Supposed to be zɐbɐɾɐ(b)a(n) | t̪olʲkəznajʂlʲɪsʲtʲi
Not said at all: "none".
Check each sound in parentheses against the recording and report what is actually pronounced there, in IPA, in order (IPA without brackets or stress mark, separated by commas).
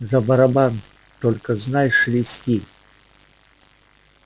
b, n